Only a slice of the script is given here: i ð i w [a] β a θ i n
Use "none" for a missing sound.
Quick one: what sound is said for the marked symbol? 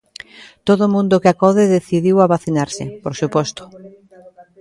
a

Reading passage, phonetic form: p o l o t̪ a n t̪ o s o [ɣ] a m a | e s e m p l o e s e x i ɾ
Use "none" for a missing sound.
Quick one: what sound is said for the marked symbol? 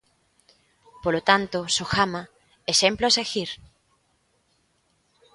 x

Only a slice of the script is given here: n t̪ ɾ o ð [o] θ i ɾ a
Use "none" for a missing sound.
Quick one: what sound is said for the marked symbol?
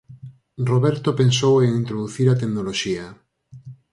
u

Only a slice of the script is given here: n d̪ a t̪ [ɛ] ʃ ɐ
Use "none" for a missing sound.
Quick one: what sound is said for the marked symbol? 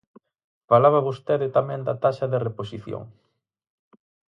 a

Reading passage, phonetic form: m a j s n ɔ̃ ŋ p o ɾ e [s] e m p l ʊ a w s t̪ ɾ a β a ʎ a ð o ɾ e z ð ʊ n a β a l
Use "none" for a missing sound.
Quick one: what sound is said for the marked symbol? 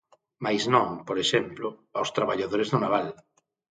ʃ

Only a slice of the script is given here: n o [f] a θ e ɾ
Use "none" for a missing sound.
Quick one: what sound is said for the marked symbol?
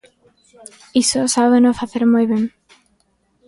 f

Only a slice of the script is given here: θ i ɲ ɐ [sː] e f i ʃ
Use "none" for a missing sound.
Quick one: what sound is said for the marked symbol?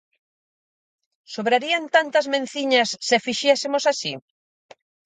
sː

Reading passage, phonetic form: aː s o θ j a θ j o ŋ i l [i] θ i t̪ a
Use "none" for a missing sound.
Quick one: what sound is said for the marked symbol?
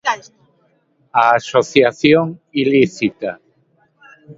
i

